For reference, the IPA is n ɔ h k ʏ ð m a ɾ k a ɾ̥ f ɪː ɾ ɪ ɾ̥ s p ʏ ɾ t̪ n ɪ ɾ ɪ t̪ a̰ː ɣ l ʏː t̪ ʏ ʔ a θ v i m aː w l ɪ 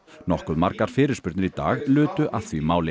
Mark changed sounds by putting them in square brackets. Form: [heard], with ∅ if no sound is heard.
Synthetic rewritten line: n ɔ h k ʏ ð m a ɾ k a ɾ̥ f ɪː ɾ ɪ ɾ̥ s p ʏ ɾ t̪ n ɪ ɾ [i] t̪ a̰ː ɣ l ʏː t̪ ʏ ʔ a θ v i m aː w l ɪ